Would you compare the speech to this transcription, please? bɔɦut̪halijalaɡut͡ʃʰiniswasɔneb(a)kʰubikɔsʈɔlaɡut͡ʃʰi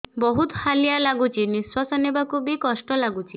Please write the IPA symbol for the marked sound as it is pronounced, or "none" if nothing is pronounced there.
a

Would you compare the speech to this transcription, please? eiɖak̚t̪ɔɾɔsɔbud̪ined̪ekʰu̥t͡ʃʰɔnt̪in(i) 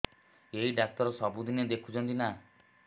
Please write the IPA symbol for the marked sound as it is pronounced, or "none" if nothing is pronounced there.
a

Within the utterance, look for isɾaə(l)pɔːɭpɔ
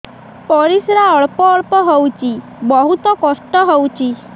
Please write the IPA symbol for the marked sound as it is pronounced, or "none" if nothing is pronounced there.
ɭ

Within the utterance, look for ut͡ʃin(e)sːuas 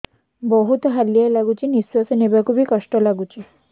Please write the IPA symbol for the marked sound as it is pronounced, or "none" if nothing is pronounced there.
i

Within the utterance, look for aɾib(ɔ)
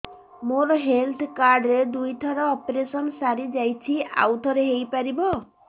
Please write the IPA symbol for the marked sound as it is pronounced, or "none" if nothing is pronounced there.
ɔ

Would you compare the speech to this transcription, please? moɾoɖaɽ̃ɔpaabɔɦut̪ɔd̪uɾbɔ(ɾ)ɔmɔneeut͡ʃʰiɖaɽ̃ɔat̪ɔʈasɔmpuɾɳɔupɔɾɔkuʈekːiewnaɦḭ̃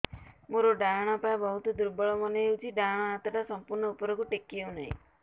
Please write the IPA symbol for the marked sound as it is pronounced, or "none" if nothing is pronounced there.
ɭ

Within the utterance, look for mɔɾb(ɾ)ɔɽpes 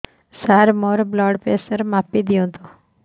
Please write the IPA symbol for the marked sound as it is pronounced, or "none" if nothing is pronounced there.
l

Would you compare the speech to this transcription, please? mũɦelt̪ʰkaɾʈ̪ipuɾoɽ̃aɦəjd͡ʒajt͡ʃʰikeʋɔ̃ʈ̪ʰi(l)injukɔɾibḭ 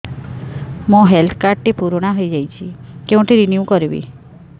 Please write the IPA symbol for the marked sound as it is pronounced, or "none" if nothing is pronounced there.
ɾ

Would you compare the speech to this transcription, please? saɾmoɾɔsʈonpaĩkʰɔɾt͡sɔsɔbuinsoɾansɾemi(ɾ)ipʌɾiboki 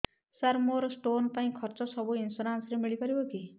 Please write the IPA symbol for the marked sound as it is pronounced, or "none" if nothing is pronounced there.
ɭ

